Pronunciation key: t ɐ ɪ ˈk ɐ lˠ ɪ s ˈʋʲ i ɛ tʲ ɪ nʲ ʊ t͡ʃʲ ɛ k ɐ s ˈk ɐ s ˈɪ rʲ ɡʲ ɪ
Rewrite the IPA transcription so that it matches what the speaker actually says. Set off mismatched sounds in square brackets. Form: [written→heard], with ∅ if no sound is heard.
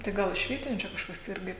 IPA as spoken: t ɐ ɪ [ˈk→ˈɡ] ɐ lˠ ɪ [s→ʃ] ˈʋʲ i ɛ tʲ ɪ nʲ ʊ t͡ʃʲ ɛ k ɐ [s→ʃ] ˈk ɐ s ˈɪ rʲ ɡʲ ɪ